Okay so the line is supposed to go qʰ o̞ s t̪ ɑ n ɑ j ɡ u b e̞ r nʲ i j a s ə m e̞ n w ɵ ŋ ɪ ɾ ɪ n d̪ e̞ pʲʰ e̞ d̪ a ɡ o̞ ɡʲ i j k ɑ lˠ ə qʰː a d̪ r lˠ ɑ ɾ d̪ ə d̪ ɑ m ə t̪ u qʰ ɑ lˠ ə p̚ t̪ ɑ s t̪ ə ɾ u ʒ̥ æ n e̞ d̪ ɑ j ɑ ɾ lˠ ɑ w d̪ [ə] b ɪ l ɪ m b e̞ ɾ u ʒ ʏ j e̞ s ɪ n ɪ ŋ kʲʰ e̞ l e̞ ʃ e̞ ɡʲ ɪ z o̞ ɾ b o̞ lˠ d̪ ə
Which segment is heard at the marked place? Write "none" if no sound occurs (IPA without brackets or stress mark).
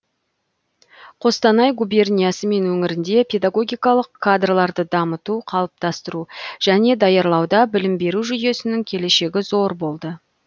ɑ